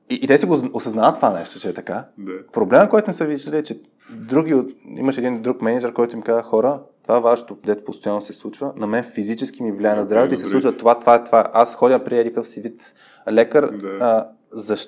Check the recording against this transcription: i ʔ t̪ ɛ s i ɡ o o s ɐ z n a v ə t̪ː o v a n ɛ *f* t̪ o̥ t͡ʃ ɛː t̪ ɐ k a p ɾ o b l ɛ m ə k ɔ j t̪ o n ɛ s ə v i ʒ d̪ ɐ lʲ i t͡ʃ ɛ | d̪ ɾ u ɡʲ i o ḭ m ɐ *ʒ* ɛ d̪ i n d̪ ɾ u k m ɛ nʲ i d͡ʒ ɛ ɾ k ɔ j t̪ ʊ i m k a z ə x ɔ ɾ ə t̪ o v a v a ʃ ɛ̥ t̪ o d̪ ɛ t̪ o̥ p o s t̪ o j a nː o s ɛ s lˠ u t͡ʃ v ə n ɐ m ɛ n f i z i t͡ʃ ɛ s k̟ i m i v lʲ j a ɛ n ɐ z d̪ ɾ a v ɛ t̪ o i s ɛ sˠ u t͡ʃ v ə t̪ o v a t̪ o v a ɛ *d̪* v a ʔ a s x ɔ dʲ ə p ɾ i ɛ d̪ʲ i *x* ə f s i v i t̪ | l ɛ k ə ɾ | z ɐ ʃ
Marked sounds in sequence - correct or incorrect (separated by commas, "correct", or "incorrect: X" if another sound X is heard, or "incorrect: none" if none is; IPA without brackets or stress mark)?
incorrect: ʃ, incorrect: ʃ, incorrect: t̪, incorrect: k